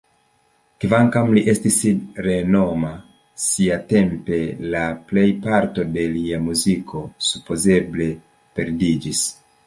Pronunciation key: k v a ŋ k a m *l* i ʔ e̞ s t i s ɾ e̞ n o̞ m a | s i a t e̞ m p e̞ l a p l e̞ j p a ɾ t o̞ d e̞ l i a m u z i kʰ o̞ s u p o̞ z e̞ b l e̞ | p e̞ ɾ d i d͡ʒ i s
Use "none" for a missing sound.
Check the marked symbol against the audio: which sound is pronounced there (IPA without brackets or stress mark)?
l